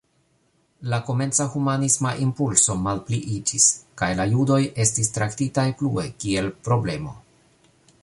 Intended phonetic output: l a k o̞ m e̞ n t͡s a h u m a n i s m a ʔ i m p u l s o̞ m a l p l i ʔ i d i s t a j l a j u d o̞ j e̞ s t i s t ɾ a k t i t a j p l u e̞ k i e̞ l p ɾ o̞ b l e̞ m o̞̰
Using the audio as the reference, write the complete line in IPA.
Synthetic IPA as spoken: l a k o̞ m e̞ n t͡s a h u m a n i s m a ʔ i m p u l s o̞ m a l p l i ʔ i d͡ʒ i s k a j l a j u d o̞ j e̞ s t i s t ɾ a k t i t a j p l u e̞ k i e̞ l p ɾ o̞ b l e̞ m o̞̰